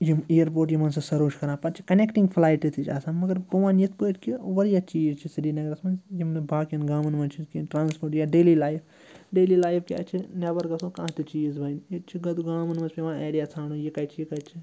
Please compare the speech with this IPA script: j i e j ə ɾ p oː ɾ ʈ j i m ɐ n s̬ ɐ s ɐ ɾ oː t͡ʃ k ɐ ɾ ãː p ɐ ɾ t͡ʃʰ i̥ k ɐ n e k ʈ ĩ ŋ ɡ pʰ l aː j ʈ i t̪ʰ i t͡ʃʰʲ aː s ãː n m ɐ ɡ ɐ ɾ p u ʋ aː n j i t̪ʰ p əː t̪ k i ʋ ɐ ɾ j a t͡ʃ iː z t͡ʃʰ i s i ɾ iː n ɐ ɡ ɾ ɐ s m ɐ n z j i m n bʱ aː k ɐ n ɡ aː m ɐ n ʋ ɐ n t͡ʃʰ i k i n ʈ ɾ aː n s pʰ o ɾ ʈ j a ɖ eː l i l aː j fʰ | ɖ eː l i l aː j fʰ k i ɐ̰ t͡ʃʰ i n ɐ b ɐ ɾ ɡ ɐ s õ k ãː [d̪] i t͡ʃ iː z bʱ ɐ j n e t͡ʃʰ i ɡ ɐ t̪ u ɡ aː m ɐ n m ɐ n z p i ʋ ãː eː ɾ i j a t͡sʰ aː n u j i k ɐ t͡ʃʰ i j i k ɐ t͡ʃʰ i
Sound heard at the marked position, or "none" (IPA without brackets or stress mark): t̪